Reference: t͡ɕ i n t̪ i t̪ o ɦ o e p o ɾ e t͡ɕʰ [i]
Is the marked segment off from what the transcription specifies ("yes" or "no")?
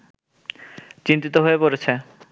yes